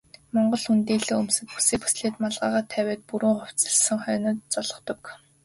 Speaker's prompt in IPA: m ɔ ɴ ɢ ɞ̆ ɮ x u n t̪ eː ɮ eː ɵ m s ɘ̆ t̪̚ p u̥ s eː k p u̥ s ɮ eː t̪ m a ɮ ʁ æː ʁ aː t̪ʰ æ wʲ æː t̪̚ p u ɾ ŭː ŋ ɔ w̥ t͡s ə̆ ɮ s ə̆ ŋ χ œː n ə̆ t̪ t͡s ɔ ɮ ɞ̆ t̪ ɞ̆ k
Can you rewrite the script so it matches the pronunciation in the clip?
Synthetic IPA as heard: m ɔ ɴ ɢ ɞ̆ ɮ x u n t̪ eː ɮ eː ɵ m s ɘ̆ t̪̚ p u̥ s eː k p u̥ s ɮ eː t̪ m a ɮ ʁ aː ʁ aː t̪ʰ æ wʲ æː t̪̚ p u ɾ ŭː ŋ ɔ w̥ t͡s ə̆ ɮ s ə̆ ŋ χ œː n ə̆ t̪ t͡s ɔ ɮ ɞ̆ t̪ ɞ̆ k